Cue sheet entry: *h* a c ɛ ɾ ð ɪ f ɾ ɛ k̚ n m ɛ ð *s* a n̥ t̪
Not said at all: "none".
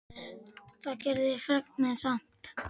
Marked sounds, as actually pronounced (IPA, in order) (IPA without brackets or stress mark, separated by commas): θ, s